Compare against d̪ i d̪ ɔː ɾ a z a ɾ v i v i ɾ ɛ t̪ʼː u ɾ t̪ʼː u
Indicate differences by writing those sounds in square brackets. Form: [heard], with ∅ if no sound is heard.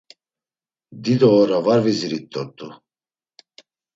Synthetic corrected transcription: d̪ i d̪ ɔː ɾ a [v] a ɾ v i [z] i ɾ [i] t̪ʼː [ɔ] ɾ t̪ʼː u

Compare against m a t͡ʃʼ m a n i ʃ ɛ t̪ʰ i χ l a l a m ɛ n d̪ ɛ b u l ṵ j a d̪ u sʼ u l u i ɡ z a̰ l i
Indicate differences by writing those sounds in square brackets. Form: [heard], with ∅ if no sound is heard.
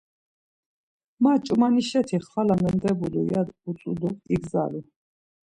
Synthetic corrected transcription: m a t͡ʃʼ m a n i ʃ ɛ t̪ʰ i χ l a l a m ɛ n d̪ ɛ b u l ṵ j a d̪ u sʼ u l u i ɡ z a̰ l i

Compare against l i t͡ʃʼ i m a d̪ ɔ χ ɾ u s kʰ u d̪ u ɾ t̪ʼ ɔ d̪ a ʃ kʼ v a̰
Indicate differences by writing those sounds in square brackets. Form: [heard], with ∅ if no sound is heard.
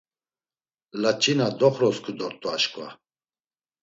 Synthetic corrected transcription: l [a] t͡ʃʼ i [n] a d̪ ɔ χ ɾ [ɔ] s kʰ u d̪ [ɔ] ɾ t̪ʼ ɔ [∅] a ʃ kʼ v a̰

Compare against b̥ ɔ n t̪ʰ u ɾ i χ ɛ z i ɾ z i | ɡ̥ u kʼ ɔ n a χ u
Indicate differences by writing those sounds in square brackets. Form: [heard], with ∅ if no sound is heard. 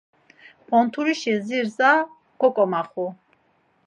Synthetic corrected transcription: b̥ ɔ n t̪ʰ u ɾ i [ʃ] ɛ z i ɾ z [a] | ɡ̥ [ɔ] kʼ ɔ [m] a χ u

